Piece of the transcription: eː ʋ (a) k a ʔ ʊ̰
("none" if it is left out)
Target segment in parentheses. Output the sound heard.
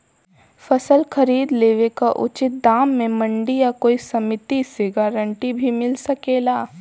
e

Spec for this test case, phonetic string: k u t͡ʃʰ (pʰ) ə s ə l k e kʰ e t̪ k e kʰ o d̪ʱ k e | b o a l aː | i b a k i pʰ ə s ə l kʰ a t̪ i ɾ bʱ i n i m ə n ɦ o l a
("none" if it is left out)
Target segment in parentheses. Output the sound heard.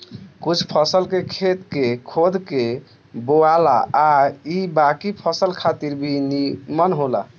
pʰ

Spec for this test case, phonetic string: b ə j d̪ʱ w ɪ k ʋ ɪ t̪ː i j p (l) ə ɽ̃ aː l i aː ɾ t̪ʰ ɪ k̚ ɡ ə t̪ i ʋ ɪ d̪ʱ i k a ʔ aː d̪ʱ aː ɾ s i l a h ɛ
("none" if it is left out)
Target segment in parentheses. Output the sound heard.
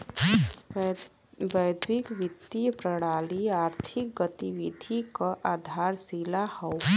ɾ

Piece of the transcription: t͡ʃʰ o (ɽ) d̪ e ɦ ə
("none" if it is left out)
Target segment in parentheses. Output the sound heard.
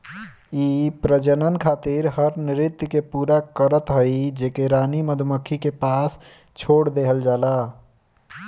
ɽ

